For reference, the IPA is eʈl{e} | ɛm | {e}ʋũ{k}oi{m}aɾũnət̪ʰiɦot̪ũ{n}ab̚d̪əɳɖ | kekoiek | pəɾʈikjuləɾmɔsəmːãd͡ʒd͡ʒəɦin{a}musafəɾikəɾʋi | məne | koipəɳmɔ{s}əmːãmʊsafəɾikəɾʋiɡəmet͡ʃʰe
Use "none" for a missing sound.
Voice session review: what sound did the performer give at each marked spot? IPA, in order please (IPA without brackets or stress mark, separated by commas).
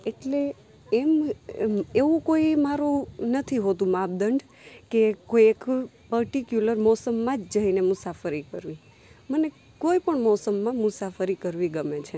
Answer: e, e, k, m, m, e, s